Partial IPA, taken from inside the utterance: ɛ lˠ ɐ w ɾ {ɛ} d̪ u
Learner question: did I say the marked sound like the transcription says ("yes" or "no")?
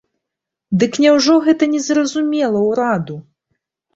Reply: no